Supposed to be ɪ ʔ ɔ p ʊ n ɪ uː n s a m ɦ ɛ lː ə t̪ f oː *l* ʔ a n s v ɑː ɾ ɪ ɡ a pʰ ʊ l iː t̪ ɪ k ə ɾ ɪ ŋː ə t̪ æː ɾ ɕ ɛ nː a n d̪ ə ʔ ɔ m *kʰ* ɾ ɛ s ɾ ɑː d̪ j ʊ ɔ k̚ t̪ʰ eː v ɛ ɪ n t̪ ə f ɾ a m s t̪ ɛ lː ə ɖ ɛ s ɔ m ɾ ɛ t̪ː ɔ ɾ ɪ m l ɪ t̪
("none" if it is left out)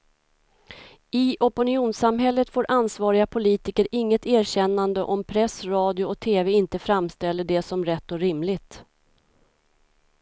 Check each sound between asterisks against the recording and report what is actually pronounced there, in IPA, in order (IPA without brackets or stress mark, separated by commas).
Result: ɾ, pʰ